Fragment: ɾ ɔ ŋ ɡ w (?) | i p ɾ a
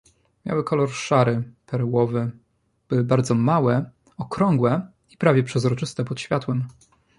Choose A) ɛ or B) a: A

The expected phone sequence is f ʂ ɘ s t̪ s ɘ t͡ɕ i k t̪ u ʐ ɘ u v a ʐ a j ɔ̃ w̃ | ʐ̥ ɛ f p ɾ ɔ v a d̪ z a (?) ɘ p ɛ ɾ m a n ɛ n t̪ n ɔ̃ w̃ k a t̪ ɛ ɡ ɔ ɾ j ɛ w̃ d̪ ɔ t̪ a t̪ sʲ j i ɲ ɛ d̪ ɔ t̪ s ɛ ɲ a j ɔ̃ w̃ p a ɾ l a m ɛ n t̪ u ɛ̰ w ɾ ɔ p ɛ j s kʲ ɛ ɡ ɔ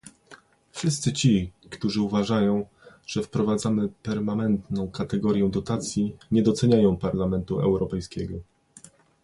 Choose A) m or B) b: A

